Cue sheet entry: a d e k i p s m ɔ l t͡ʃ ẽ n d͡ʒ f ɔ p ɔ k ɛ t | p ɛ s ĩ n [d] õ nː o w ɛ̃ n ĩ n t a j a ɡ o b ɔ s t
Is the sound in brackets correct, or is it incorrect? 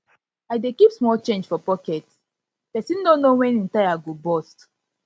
correct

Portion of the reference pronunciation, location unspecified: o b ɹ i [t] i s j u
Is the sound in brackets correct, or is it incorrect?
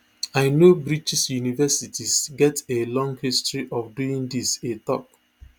incorrect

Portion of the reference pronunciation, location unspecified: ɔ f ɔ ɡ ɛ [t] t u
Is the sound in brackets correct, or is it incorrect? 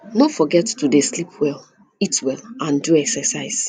correct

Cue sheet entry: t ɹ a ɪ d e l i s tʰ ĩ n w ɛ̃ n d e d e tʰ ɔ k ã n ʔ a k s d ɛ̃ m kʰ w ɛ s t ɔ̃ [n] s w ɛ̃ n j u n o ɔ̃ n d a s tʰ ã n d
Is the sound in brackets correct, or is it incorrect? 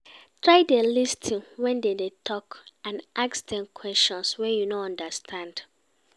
correct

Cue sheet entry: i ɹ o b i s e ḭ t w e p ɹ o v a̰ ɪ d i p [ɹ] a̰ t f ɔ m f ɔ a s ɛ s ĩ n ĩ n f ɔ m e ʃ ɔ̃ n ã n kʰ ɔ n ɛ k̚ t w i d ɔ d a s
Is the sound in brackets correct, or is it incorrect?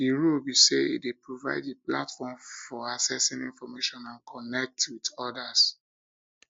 incorrect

